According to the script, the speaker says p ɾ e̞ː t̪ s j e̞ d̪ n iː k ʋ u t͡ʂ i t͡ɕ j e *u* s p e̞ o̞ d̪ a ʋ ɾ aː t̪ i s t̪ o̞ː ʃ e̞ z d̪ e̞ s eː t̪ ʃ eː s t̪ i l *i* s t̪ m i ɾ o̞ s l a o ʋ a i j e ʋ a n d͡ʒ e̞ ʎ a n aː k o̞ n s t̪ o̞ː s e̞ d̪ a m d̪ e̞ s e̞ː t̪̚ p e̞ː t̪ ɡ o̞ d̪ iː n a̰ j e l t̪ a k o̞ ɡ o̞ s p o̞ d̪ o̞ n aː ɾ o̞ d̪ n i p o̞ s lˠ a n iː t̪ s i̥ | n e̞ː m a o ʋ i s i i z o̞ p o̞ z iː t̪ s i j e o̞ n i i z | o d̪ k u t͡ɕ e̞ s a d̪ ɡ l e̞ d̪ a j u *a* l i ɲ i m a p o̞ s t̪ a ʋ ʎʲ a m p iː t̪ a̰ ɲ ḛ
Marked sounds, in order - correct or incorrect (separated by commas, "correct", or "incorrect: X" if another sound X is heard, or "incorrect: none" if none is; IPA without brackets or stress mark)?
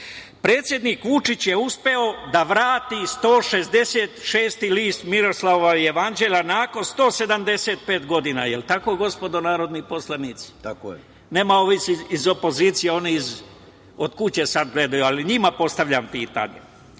correct, incorrect: iː, correct